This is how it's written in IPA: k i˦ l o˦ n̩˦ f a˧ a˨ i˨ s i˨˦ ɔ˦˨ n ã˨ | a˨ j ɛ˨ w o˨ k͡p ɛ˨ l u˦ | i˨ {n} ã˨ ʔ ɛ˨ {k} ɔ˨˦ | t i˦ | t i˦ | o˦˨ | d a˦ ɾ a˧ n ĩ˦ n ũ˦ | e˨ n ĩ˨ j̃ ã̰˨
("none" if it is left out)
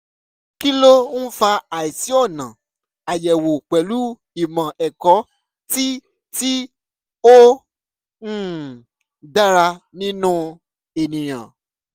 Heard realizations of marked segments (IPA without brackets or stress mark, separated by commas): m, k